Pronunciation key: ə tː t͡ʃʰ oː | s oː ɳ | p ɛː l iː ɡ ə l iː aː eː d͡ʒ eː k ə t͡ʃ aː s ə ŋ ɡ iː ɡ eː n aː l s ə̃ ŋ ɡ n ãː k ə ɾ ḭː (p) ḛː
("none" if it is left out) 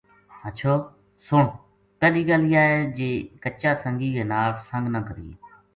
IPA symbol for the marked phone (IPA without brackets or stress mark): none